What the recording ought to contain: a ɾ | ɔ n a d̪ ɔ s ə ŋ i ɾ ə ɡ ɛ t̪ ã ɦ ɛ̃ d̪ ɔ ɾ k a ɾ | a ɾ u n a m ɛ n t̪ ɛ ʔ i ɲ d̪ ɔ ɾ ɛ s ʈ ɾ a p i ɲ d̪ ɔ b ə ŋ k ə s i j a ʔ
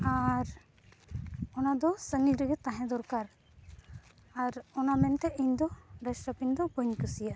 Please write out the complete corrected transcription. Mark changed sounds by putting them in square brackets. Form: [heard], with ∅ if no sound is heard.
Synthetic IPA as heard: a ɾ | ɔ n a d̪ ɔ s ə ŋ i ɾ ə ɡ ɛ t̪ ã ɦ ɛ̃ d̪ ɔ ɾ k a ɾ | a ɾ [ɔ] n a m ɛ n t̪ ɛ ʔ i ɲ d̪ ɔ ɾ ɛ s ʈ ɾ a p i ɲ d̪ ɔ b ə [ɲ] k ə s i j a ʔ